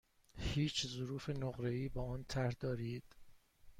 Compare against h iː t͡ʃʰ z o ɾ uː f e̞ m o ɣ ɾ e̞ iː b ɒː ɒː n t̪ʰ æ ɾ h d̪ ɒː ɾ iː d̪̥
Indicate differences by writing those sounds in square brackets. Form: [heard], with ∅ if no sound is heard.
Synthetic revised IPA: h iː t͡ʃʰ z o ɾ uː f e̞ [n] o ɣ ɾ e̞ iː b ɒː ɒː n t̪ʰ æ ɾ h d̪ ɒː ɾ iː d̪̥